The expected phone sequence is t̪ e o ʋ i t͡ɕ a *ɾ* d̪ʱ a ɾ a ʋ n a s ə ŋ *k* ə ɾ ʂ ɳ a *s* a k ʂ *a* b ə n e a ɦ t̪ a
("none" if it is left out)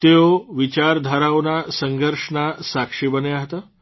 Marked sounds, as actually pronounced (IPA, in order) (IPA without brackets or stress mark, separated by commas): ɾ, ɡ, s, i